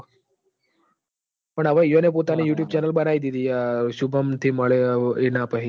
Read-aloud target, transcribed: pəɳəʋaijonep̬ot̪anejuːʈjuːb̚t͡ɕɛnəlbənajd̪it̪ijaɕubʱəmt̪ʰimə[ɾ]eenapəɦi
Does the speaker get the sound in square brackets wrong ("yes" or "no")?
yes